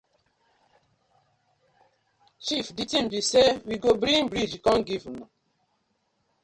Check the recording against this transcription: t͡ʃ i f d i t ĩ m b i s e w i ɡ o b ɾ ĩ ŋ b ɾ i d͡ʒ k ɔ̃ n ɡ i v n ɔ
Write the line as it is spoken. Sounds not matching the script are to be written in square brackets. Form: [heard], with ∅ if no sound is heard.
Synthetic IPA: t͡ʃ i f d i t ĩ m b i s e w i ɡ o b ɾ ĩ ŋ b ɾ i d͡ʒ k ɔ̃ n ɡ i v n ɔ

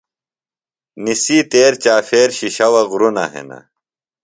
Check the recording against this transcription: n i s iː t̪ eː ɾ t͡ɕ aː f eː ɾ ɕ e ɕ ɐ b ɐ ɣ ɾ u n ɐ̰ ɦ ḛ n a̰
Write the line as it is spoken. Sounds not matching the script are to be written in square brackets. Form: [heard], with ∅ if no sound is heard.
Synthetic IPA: n i s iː t̪ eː ɾ t͡ɕ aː f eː ɾ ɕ [i] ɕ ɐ [w] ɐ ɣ ɾ u n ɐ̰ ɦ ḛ n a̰

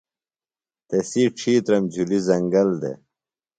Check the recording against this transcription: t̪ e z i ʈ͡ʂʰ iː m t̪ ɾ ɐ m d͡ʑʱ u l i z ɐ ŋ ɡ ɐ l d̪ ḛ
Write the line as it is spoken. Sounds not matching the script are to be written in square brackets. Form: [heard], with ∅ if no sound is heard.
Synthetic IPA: t̪ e [s] i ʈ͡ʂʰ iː [∅] t̪ ɾ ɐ m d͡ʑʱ u l i z ɐ ŋ ɡ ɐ l d̪ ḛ

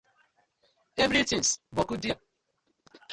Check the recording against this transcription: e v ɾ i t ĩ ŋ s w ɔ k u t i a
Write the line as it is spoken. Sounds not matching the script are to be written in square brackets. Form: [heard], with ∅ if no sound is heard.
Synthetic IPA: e v ɾ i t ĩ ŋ s [b] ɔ k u [d] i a

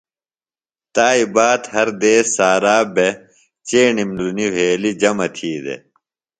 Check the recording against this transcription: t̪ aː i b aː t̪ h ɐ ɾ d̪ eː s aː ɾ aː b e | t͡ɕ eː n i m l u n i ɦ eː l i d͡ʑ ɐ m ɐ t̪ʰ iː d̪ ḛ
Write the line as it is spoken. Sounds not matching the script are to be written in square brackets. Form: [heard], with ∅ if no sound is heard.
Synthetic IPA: t̪ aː i b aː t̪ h ɐ ɾ d̪ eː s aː ɾ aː b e | t͡ɕ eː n i m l u n i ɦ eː l i d͡ʑ ɐ m ɐ t̪ʰ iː d̪ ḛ

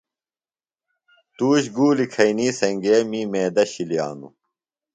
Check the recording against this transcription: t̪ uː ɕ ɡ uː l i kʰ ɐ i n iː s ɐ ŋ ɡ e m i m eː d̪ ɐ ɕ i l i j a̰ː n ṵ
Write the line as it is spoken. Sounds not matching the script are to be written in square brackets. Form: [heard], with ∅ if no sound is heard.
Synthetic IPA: t̪ uː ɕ ɡ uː l i kʰ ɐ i n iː s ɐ ŋ ɡ e m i m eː d̪ ɐ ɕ i l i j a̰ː n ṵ

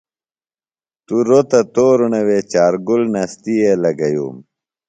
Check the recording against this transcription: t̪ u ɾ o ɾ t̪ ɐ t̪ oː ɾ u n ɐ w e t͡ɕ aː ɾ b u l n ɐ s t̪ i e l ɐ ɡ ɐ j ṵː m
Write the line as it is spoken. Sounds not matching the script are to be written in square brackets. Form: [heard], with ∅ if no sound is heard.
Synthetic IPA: t̪ u ɾ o [∅] t̪ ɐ t̪ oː ɾ u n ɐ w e t͡ɕ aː ɾ [ɡ] u l n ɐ s t̪ i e l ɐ ɡ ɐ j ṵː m

